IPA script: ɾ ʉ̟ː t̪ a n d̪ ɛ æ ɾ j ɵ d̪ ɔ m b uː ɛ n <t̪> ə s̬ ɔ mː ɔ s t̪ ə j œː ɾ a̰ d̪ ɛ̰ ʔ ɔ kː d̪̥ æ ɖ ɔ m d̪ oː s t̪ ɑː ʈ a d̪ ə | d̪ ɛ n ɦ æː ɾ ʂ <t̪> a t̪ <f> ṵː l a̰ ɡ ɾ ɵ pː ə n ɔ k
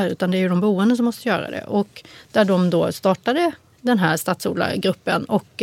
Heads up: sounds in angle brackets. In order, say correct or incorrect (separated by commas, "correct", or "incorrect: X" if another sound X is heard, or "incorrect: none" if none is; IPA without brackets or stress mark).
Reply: incorrect: d̪, correct, incorrect: s